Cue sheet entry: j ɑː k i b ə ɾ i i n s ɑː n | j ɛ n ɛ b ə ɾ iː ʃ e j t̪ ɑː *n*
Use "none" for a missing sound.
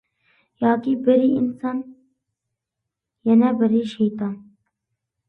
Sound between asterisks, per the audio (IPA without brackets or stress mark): n